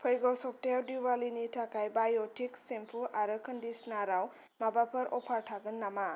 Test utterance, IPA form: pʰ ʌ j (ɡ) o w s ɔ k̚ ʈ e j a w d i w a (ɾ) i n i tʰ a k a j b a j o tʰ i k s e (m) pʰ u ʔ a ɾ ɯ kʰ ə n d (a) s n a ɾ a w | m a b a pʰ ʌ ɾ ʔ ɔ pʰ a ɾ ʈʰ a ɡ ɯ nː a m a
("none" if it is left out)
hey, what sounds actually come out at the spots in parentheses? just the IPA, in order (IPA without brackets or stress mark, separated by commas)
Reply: ɡ, l, m, i